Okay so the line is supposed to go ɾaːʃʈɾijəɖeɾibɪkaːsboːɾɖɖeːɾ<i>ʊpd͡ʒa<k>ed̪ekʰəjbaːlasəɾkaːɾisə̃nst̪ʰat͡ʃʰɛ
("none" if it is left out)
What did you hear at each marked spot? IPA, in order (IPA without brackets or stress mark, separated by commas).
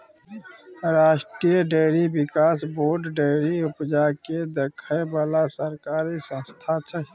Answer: i, k